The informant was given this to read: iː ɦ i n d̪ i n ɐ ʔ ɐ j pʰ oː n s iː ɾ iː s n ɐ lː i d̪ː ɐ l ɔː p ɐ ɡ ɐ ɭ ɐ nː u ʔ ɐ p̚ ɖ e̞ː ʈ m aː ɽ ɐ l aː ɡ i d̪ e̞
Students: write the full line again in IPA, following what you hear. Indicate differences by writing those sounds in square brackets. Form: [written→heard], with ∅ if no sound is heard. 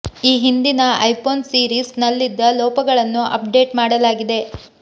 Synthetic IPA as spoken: iː ɦ i n d̪ i n ɐ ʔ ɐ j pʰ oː n s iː ɾ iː s n ɐ lː i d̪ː ɐ l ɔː p ɐ ɡ ɐ ɭ ɐ nː u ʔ ɐ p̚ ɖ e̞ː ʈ m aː ɽ ɐ l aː ɡ i d̪ e̞